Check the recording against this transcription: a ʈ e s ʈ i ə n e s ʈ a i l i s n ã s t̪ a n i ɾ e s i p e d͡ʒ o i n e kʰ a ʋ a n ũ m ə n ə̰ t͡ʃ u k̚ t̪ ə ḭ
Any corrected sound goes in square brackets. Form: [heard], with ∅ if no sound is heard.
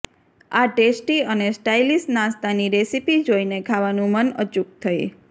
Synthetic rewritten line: a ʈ e s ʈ i ə n e s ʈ a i l i s n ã s t̪ a n i ɾ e s i p [i] d͡ʒ o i n e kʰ a ʋ a n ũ m ə n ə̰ t͡ʃ u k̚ [t̪ʰ] ə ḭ